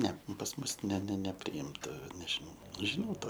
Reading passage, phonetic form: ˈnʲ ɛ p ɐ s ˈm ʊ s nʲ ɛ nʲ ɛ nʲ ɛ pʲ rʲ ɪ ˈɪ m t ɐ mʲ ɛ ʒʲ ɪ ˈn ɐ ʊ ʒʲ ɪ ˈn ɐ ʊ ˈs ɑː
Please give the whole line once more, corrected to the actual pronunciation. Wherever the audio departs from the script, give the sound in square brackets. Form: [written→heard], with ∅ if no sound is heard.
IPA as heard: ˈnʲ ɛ p ɐ s ˈm ʊ s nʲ ɛ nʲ ɛ nʲ ɛ pʲ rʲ ɪ ˈɪ m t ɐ [mʲ→nʲ] ɛ ʒʲ ɪ ˈn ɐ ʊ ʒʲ ɪ ˈn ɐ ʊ [ˈs→ˈt] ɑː